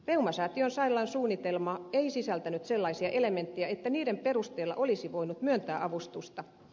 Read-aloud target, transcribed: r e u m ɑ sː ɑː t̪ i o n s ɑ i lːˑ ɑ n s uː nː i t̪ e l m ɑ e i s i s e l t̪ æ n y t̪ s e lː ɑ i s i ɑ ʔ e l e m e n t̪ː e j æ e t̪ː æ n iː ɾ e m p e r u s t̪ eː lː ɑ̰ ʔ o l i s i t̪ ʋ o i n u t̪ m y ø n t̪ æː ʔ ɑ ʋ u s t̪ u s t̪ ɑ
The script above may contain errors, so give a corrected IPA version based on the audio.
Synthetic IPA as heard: r e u m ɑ s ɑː t̪ i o n s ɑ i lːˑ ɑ n s uː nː i t̪ e l m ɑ e i s i s æ l t̪ æ n y t̪ s e lː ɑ i s i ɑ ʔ e l e m e n t̪ː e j æ e t̪ː æ n iː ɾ e m p e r u s t̪ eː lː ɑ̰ ʔ o l i s i ʋ o i n u t̪ m y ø n t̪ æː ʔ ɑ ʋ u s t̪ u s t̪ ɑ